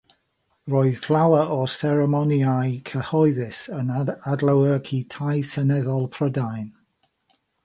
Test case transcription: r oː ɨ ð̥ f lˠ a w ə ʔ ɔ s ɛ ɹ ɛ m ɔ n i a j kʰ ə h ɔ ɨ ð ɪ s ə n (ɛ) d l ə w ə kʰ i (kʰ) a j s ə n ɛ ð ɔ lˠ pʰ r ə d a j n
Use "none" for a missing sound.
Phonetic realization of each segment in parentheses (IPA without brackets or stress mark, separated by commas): a, tʰ